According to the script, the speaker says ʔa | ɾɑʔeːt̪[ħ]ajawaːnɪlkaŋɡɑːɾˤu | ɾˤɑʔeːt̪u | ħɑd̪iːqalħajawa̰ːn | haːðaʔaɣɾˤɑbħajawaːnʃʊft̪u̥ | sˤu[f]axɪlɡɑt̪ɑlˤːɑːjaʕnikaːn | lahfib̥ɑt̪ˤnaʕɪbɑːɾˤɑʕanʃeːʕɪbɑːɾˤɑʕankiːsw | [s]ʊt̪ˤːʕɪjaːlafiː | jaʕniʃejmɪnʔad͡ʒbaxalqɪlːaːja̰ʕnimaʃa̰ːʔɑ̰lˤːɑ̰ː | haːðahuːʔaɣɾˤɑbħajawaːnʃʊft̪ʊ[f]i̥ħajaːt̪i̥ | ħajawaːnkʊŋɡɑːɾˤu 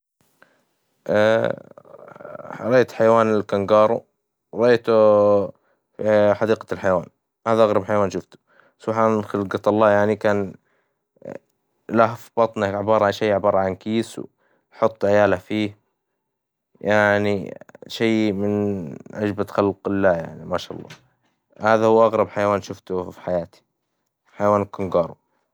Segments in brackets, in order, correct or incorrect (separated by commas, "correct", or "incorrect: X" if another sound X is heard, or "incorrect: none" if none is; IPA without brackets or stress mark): correct, incorrect: ħ, incorrect: ħ, correct